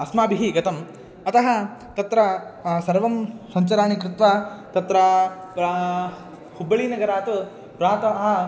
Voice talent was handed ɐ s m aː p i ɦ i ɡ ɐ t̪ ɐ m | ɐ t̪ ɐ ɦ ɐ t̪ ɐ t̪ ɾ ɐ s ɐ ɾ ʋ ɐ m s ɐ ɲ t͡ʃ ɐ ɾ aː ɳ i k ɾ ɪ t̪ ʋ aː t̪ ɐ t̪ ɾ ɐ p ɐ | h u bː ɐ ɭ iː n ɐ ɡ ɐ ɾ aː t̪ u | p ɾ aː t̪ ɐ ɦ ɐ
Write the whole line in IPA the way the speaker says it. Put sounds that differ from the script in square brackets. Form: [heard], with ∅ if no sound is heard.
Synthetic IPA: ɐ s m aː [b] i ɦ i ɡ ɐ t̪ ɐ m | ɐ t̪ ɐ ɦ ɐ t̪ ɐ t̪ ɾ ɐ s ɐ ɾ ʋ ɐ m s ɐ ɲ t͡ʃ ɐ ɾ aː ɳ i k ɾ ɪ t̪ ʋ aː t̪ ɐ t̪ ɾ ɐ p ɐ | h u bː ɐ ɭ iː n ɐ ɡ ɐ ɾ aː t̪ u | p ɾ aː t̪ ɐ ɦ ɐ